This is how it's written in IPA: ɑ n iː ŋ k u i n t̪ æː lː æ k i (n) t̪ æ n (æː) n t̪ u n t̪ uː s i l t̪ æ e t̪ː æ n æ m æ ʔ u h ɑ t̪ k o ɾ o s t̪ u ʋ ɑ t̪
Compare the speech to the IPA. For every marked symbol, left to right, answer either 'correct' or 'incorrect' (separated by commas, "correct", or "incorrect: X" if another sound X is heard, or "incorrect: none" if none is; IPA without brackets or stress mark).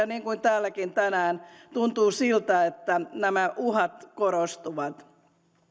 correct, correct